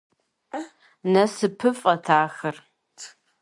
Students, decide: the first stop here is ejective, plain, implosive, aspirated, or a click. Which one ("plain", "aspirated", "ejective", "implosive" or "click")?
aspirated